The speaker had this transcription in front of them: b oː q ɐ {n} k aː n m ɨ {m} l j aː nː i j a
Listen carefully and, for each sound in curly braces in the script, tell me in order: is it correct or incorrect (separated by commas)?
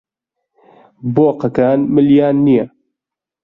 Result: incorrect, incorrect